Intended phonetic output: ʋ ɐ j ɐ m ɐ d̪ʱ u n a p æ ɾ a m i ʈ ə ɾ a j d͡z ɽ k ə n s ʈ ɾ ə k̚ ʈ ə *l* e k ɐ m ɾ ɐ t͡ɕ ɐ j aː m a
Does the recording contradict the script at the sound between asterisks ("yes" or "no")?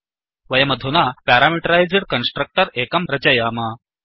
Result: yes